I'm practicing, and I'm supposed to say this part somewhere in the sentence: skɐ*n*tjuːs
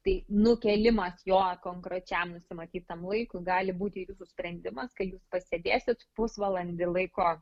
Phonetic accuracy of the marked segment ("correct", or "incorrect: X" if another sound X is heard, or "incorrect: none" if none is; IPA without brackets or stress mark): incorrect: none